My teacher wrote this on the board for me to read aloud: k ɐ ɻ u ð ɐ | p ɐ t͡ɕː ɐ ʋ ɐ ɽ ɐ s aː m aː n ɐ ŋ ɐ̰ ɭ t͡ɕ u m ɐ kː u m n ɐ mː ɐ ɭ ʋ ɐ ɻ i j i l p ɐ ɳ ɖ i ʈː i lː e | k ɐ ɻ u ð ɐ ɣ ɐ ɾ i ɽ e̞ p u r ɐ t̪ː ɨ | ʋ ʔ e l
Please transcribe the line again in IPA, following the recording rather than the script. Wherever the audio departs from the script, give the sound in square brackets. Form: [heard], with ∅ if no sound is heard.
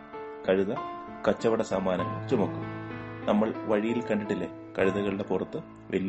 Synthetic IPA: k ɐ ɻ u ð ɐ | [k] ɐ t͡ɕː ɐ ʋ ɐ ɽ ɐ s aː m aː n ɐ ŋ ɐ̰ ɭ t͡ɕ u m ɐ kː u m n ɐ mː ɐ ɭ ʋ ɐ ɻ i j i l [k] ɐ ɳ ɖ i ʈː i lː e | k ɐ ɻ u ð ɐ ɣ ɐ [ɭ] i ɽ e̞ p u r ɐ t̪ː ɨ | ʋ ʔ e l